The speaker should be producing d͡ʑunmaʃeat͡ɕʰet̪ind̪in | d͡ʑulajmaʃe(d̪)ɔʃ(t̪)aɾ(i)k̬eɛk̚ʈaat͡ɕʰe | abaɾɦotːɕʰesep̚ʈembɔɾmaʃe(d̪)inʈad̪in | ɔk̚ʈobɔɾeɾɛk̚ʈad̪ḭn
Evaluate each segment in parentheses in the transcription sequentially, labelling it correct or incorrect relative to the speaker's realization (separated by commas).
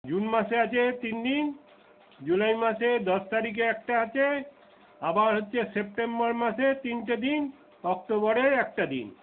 correct, correct, correct, incorrect